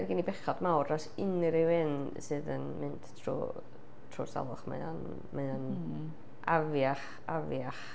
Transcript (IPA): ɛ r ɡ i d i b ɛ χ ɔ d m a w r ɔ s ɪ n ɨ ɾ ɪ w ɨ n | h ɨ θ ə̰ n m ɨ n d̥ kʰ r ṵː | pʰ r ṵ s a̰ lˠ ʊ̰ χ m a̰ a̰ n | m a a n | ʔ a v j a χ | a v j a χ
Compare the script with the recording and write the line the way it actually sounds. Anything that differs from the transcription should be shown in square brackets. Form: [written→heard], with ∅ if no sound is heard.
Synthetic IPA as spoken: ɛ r ɡ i [d→n] i b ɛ χ ɔ d m a w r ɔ s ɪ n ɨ ɾ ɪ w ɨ n | [h→s] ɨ [θ→ð] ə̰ n m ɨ n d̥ [kʰ→tʰ] r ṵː | [pʰ→tʰ] r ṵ s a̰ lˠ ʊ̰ χ m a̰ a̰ n | m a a n | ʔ a v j a χ | a v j a χ